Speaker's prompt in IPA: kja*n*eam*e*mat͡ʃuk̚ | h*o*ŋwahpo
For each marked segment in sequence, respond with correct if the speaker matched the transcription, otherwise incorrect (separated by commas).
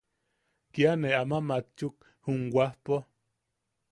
correct, incorrect, incorrect